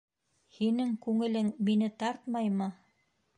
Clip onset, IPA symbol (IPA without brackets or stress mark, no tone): h